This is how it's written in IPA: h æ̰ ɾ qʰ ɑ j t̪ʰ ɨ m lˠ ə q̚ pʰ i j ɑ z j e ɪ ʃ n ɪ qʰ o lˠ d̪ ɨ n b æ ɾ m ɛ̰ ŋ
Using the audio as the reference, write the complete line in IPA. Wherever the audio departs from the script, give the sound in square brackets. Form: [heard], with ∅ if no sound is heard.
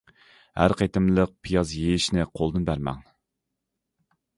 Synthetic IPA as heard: h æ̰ ɾ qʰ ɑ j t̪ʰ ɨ m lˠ ə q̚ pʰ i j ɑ z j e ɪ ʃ n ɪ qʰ o lˠ d̪ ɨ n b æ ɾ m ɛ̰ ŋ